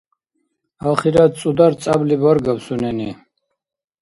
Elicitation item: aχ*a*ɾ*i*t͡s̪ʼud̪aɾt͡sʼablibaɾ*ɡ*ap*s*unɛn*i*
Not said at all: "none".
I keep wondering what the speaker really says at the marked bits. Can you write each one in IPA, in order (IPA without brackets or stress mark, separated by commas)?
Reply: i, a, ɡ, s, i